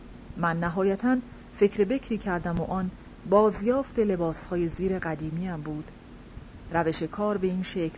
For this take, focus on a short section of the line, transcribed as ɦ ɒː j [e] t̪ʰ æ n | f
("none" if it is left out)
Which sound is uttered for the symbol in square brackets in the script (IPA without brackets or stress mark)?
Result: æ